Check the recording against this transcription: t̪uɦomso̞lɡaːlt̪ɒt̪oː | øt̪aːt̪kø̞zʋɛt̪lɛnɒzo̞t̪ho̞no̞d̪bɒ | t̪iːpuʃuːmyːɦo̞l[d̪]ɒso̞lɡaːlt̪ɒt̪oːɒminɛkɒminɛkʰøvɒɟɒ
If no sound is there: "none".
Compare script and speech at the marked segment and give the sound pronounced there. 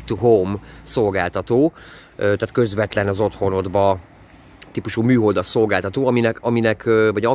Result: d̪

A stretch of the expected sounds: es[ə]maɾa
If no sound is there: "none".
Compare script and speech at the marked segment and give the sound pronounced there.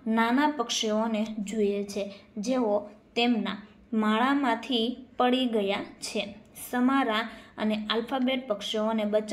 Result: ə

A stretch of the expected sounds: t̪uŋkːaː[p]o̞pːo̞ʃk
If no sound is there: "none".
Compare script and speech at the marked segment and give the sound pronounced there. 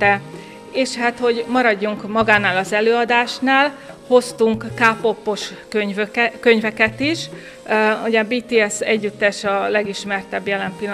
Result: p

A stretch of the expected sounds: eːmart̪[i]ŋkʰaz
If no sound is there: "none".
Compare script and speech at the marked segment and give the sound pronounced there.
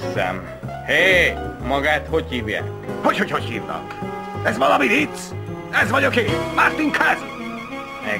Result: i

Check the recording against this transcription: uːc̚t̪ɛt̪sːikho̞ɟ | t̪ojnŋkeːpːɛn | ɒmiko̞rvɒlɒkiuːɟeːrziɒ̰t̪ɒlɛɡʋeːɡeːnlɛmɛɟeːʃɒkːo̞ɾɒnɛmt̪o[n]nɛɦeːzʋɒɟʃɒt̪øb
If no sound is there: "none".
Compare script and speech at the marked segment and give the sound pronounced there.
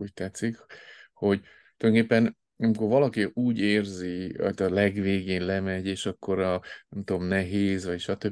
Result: m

